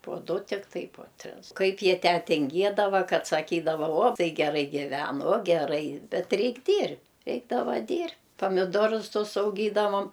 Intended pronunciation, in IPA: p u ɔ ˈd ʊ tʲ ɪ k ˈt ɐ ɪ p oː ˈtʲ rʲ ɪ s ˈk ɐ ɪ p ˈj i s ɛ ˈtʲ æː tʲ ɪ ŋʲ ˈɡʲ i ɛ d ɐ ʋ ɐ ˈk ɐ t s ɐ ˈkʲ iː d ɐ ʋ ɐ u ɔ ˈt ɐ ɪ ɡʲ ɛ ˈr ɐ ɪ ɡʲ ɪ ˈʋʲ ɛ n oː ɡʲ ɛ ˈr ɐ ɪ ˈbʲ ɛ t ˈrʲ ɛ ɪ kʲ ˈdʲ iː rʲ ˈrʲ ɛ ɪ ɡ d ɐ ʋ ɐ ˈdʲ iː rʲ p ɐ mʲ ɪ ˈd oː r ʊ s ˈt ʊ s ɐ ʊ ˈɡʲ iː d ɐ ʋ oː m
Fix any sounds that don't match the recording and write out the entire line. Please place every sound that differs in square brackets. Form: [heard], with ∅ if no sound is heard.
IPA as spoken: p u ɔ ˈd ʊ tʲ ɪ k ˈt ɐ ɪ p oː ˈtʲ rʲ ɪ s ˈk ɐ ɪ p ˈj i [∅] ɛ ˈtʲ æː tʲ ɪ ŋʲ ˈɡʲ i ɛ d ɐ ʋ ɐ ˈk ɐ t s ɐ ˈkʲ iː d ɐ ʋ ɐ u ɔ ˈt ɐ ɪ ɡʲ ɛ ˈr ɐ ɪ ɡʲ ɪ ˈʋʲ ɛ n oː ɡʲ ɛ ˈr ɐ ɪ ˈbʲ ɛ t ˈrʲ ɛ ɪ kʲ ˈdʲ iː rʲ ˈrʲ ɛ ɪ ɡ d ɐ ʋ ɐ ˈdʲ iː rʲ p ɐ mʲ ɪ ˈd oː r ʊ s ˈt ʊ s ɐ ʊ ˈɡʲ iː d ɐ ʋ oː m